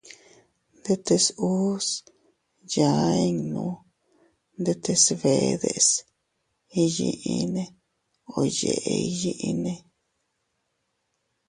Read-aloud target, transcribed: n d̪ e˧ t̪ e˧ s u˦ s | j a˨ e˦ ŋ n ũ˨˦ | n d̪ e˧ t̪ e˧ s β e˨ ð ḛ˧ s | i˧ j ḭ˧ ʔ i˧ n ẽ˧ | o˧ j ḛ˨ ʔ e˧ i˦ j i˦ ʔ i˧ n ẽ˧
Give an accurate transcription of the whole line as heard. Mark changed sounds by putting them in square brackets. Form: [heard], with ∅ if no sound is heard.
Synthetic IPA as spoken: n d̪ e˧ t̪ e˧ s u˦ s | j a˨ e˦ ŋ n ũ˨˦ | n d̪ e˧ t̪ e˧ s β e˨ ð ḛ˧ s | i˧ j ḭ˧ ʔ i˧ n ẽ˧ | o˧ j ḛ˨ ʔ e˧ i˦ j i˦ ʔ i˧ n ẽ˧